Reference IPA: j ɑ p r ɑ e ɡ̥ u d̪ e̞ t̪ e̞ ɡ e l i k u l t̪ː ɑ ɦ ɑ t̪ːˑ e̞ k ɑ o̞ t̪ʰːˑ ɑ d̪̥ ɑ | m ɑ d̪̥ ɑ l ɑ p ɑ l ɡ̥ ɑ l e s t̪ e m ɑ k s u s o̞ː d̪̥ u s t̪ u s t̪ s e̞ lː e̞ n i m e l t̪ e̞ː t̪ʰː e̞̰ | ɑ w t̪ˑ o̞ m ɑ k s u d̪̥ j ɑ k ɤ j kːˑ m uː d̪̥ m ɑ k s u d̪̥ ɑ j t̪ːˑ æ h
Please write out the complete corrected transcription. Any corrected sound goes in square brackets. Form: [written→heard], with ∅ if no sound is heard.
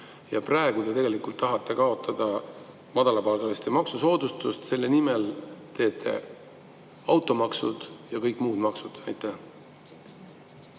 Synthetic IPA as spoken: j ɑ p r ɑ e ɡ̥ u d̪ e̞ t̪ e̞ ɡ e l i k u l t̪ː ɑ ɦ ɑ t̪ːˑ e̞ k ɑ o̞ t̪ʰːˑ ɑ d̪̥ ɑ | m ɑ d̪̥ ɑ l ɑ p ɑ l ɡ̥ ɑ l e s t̪ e m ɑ k s u s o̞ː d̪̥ u s t̪ u s t̪ s e̞ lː e̞ n i m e l t̪ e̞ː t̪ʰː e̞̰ | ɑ w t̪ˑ o̞ m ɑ k s u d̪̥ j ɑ k ɤ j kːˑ m uː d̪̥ m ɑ k s u d̪̥ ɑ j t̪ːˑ æ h